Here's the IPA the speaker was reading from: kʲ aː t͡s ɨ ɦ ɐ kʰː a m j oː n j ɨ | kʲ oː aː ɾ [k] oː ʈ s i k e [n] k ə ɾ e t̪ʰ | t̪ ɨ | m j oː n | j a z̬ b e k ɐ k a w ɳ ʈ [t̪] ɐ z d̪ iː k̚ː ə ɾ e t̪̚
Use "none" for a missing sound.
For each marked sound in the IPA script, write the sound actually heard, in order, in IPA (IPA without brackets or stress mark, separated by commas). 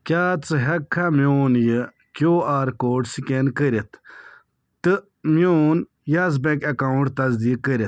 k, n, t̪